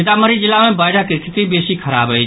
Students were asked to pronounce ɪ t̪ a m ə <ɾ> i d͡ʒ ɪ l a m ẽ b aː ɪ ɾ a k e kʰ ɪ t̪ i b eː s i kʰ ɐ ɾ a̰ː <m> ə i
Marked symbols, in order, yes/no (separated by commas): yes, no